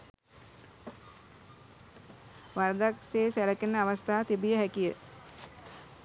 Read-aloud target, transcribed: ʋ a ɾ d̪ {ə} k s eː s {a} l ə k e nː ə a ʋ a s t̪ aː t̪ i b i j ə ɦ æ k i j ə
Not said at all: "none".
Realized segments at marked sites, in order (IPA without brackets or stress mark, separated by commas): a, æ